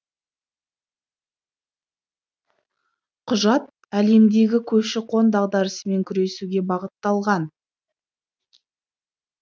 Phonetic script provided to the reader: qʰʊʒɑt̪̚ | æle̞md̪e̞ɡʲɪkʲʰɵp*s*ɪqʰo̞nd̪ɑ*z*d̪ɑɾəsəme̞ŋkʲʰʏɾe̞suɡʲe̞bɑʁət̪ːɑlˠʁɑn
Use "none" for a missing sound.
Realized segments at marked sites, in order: ʃ, ʁ

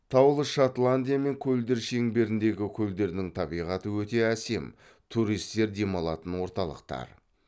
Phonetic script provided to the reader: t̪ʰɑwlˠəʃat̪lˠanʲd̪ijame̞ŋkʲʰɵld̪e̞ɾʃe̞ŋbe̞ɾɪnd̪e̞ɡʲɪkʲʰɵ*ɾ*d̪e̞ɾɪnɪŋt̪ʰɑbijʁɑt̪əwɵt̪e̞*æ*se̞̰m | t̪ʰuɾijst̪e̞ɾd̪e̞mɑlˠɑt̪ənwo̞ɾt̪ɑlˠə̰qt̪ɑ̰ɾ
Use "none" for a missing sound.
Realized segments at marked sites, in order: l, æ

